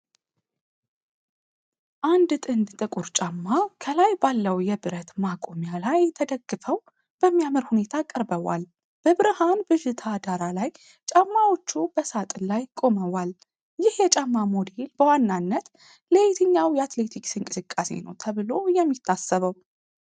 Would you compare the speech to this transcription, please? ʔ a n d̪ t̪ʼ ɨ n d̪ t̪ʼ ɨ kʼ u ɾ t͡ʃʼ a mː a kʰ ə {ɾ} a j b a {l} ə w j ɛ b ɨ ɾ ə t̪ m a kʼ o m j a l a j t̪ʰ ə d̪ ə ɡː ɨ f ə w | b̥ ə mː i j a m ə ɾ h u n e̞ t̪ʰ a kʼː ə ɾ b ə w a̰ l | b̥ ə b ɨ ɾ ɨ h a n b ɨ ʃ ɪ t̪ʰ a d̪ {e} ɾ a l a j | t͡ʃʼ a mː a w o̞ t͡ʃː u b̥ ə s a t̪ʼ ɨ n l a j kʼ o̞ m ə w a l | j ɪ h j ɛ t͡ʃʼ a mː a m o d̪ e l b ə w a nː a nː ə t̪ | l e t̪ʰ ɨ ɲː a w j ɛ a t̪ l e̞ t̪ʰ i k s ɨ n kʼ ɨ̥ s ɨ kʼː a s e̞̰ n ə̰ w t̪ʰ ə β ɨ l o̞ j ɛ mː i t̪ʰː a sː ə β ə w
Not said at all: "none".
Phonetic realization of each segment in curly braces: l, lː, a

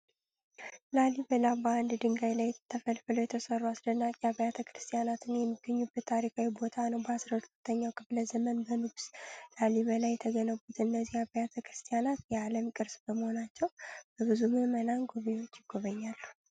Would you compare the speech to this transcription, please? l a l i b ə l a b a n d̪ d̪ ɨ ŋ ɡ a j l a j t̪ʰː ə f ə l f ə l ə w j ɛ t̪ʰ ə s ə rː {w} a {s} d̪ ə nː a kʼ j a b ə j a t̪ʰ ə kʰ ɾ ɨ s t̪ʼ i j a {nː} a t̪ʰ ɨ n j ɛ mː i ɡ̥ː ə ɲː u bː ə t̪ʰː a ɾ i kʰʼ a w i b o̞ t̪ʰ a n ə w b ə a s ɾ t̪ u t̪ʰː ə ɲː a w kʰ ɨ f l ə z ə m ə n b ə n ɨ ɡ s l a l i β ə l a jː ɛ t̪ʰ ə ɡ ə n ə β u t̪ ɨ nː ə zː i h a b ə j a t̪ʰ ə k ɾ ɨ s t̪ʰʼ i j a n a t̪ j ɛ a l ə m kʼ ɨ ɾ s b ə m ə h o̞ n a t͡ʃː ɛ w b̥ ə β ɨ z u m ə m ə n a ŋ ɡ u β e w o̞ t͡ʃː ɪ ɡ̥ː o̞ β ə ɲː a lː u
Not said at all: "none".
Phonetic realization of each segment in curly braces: u, s, n

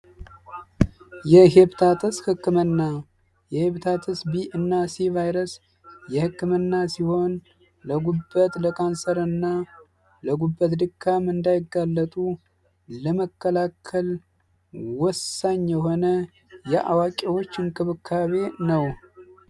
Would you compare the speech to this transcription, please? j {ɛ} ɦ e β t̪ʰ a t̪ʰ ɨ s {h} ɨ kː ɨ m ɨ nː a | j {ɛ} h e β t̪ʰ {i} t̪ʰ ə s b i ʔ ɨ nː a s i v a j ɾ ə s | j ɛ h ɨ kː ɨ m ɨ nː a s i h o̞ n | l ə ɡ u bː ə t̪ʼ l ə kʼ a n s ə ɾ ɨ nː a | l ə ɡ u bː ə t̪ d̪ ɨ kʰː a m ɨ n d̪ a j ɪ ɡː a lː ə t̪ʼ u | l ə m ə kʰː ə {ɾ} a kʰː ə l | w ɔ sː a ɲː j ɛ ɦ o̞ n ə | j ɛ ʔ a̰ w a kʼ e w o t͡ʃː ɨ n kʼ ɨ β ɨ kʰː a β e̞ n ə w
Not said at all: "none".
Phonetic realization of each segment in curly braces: ɛ, h, ɛ, a, l

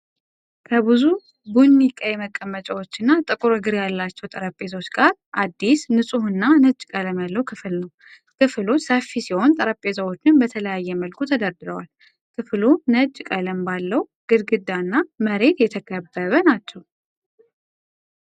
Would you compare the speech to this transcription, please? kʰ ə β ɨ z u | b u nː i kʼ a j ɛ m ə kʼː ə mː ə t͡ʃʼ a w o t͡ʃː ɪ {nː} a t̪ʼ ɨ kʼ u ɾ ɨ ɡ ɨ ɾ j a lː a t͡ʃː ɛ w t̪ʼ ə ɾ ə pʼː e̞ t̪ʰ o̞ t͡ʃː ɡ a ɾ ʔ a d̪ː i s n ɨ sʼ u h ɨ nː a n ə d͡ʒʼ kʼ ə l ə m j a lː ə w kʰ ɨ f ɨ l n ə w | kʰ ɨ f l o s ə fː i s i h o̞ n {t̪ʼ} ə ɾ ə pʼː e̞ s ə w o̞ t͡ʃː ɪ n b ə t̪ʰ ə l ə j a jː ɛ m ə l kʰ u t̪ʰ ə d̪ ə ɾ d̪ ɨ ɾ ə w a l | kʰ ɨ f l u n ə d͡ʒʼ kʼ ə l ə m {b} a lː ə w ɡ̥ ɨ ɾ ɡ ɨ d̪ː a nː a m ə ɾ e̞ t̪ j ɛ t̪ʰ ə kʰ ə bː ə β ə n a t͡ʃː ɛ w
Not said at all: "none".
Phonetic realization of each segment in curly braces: nː, t̪ʼ, b

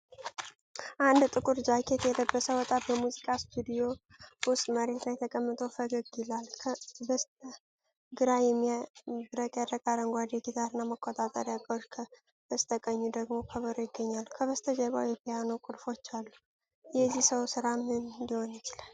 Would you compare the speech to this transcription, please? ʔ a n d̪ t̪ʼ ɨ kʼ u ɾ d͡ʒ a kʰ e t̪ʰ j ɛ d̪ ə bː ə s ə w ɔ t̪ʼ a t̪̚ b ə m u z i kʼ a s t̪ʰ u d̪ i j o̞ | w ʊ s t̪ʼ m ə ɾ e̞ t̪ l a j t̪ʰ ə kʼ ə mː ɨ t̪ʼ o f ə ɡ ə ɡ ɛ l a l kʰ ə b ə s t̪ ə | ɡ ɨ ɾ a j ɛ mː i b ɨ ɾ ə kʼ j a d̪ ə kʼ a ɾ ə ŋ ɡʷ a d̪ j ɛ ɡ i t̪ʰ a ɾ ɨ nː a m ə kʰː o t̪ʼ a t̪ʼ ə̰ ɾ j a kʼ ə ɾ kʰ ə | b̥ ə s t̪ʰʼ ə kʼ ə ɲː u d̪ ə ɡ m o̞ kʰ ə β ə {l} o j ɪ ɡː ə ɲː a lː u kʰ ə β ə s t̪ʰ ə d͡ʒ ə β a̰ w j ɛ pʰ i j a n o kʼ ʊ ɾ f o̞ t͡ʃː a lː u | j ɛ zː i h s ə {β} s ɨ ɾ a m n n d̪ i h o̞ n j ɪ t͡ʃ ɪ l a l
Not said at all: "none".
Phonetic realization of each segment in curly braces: ɾ, w

